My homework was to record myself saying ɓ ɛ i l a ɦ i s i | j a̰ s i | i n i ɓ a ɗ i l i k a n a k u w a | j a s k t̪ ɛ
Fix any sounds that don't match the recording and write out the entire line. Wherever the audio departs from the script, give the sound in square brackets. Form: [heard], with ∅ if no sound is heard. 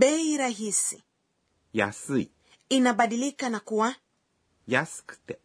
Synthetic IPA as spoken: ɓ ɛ i [ɾ] a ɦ i s i | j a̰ s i | i n [a] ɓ a ɗ i l i k a n a k u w a | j a s k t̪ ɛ